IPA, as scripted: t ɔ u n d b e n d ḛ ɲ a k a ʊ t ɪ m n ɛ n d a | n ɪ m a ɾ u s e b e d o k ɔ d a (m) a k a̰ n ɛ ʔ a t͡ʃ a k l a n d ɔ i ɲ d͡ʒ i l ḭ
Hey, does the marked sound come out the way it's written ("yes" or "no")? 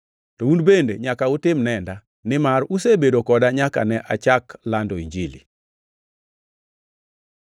no